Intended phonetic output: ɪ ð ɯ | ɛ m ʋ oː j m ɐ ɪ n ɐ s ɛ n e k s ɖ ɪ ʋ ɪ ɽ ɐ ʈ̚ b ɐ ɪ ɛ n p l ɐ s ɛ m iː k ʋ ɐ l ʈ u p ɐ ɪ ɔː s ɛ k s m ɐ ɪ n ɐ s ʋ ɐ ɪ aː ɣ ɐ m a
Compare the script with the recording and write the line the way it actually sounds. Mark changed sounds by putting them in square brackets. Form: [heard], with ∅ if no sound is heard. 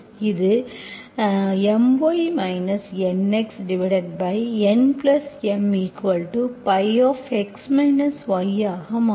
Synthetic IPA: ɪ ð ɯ | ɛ m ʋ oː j m ɐ ɪ n ɐ s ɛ n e k s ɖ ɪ ʋ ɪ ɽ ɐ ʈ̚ b ɐ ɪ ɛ n p l ɐ s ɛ m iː k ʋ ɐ l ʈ u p ɐ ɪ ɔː [f] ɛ k s m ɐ ɪ n ɐ s ʋ ɐ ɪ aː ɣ ɐ m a